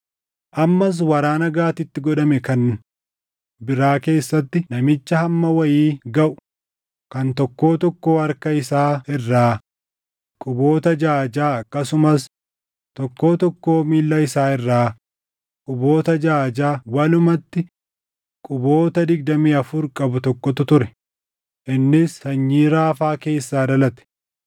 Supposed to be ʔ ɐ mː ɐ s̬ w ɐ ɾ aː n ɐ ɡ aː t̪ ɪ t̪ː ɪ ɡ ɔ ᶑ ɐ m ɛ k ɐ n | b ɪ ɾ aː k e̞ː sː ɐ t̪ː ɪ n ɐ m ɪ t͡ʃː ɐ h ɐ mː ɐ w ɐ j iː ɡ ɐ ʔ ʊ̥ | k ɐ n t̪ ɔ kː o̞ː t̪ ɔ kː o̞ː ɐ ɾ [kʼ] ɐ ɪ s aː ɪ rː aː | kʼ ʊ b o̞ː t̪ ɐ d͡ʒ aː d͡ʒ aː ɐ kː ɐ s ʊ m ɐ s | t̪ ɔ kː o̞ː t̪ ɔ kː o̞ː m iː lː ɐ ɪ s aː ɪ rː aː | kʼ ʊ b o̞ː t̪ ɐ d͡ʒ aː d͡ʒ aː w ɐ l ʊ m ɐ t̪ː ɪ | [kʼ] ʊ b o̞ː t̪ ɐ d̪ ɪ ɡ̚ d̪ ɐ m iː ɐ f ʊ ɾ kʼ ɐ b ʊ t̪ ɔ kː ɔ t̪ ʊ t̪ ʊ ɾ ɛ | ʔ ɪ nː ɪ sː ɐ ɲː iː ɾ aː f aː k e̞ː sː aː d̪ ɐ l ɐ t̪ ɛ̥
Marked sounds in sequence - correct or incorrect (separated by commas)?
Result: incorrect, correct